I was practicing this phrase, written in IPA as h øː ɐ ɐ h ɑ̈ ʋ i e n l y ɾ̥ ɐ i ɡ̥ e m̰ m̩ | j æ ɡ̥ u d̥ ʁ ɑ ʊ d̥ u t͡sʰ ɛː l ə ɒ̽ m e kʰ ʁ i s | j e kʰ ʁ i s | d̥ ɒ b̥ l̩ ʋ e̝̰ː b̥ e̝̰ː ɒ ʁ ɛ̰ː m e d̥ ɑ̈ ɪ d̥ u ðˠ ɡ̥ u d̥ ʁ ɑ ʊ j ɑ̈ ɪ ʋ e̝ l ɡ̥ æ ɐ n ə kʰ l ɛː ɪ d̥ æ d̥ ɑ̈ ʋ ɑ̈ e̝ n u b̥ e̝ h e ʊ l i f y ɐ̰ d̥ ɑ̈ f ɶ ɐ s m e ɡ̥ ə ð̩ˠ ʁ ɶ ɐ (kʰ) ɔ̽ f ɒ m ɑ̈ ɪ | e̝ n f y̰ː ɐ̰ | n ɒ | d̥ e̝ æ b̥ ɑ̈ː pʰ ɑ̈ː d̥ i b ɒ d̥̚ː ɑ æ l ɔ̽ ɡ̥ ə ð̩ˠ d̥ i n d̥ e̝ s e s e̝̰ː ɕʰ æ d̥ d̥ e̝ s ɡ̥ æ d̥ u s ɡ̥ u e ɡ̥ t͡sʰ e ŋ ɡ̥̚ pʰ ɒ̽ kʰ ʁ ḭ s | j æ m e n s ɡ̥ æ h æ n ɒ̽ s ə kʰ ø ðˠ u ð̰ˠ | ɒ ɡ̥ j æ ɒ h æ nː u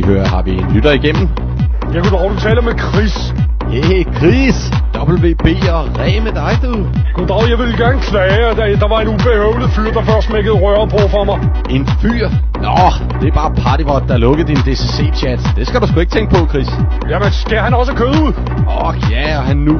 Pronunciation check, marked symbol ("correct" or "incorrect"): incorrect